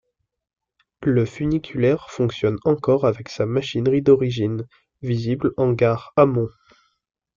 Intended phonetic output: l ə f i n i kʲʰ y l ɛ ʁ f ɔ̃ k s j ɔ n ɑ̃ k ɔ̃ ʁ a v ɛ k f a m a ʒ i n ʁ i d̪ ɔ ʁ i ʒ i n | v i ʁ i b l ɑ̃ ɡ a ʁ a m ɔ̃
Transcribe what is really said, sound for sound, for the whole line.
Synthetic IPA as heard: l ə f y n i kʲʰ y l ɛ ʁ f ɔ̃ k s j ɔ n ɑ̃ k ɔ ʁ a v ɛ k s a m a ʃ i n ʁ i d̪ ɔ ʁ i ʒ i n | v i z i b l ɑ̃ ɡ a ʁ a m ɔ̃